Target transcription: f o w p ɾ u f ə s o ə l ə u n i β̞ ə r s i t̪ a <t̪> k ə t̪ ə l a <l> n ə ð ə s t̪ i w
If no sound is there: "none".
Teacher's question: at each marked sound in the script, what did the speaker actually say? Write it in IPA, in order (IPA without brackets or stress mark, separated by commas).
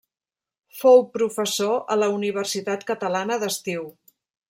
t̪, none